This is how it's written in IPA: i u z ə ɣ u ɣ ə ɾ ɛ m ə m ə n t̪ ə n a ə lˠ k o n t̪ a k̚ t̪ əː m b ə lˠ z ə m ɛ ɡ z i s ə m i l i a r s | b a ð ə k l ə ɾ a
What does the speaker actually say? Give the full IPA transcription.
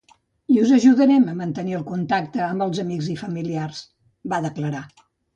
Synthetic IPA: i u z ə ʒ u ð ə ɾ ɛ m ə m ə n t̪ ə n i ə lˠ k u n t̪ a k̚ t̪ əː m b ə lˠ z ə m i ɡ z i f ə m i l i a r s | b a ð ə k l ə ɾ a